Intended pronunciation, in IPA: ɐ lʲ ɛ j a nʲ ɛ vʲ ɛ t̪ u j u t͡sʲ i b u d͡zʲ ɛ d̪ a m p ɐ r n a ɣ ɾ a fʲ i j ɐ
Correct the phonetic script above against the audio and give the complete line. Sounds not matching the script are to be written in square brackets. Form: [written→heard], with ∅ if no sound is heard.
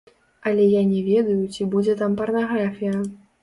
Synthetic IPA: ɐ lʲ ɛ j a nʲ ɛ vʲ ɛ [t̪→d̪] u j u t͡sʲ i b u d͡zʲ ɛ [d̪→t̪] a m p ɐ r n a ɣ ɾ a fʲ i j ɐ